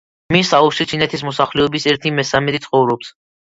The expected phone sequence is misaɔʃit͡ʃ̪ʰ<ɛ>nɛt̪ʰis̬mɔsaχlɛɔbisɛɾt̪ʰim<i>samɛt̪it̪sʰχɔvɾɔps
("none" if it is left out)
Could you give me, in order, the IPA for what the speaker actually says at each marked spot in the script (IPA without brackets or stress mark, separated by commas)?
i, ɛ